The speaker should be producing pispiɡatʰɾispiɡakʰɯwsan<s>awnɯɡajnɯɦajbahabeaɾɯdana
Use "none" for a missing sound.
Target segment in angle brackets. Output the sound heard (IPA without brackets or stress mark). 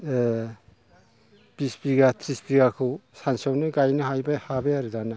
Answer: s